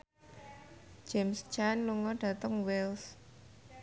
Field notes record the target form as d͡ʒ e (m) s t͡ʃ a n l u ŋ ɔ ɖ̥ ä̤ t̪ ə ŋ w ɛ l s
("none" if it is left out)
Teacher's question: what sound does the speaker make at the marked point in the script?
m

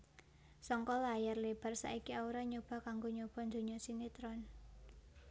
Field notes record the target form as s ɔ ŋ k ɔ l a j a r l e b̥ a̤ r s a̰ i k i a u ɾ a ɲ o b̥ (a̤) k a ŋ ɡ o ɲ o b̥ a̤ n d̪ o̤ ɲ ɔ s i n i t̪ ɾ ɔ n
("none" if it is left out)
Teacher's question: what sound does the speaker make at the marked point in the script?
a̤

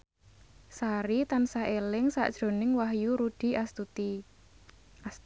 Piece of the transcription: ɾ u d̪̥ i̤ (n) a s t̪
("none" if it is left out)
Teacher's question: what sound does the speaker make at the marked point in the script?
none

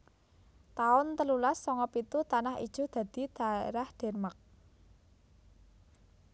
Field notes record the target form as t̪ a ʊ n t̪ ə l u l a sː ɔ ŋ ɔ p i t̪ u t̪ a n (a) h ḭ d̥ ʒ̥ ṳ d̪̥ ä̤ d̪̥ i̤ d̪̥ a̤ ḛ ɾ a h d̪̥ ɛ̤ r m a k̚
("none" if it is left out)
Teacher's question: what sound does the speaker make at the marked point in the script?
a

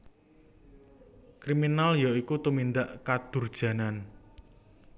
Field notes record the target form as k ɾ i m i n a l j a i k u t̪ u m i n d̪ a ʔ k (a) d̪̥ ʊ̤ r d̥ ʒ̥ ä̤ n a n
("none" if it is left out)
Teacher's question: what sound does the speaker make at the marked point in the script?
a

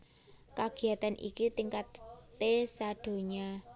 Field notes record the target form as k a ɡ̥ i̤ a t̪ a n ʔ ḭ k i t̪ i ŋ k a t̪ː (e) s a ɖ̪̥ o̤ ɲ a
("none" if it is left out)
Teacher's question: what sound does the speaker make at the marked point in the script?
e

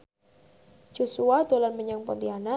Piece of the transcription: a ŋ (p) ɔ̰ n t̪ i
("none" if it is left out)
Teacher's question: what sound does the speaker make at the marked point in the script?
p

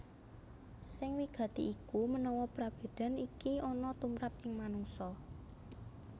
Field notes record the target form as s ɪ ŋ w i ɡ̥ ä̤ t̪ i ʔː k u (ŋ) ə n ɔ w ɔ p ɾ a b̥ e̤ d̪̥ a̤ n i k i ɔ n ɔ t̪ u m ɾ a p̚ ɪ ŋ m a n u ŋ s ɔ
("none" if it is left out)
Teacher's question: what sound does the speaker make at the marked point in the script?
m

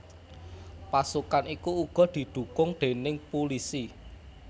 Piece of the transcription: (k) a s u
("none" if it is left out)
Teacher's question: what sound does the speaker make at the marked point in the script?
p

